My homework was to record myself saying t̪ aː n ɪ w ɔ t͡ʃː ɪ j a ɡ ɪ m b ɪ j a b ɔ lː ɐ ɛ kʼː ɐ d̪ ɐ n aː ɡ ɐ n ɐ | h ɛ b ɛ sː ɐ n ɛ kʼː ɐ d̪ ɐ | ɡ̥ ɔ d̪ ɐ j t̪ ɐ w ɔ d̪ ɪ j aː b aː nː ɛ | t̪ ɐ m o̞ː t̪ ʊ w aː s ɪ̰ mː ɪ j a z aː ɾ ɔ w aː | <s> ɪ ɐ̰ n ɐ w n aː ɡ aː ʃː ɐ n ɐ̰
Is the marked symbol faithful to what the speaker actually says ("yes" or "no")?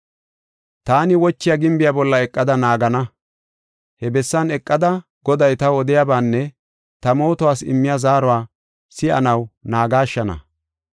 yes